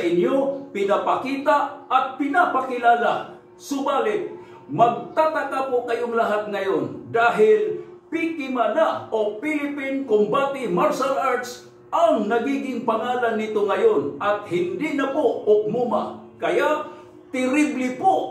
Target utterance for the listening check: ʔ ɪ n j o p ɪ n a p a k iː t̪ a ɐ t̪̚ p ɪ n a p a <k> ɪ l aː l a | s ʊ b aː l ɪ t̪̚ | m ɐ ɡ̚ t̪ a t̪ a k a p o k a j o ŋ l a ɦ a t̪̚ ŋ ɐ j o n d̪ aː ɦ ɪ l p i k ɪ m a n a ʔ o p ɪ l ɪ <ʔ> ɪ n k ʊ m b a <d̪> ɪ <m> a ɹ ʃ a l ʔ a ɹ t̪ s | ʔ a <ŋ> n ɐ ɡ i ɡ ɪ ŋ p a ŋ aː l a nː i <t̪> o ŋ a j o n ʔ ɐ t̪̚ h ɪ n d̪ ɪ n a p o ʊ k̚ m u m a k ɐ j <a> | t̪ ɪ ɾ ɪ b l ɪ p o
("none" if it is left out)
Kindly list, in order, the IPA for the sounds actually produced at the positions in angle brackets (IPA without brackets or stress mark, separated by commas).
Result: k, p, t̪, m, ŋ, t̪, a